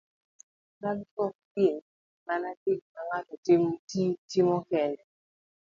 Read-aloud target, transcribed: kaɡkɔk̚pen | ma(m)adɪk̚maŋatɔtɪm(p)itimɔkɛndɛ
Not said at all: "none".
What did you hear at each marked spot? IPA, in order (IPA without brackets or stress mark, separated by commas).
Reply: n, t